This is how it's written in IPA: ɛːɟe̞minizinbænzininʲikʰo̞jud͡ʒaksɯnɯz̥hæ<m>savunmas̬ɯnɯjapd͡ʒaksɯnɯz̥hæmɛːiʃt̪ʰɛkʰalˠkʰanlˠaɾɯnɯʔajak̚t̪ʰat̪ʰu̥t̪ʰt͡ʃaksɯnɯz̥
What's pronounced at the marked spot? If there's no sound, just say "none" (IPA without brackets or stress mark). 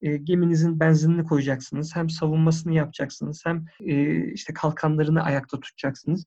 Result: m